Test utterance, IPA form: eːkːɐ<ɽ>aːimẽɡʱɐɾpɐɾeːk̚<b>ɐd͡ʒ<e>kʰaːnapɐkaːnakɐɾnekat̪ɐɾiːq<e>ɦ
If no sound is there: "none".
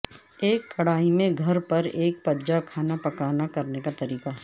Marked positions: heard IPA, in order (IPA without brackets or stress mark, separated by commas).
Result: ɽ, p, a, a